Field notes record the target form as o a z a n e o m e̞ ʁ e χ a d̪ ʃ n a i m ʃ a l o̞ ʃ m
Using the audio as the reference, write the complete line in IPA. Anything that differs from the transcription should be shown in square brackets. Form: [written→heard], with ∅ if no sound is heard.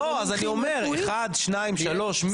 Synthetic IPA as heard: o a z a n [e→i] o m e̞ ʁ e χ a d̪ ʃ n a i m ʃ a l o̞ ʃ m